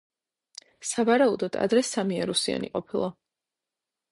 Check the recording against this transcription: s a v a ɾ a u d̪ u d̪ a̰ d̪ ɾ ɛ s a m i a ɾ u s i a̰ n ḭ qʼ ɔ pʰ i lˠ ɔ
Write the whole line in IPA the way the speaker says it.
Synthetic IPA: s a v a ɾ a u d̪ ɔ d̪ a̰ d̪ ɾ ɛ s a m i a ɾ u s i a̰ n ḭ qʼ ɔ pʰ i lˠ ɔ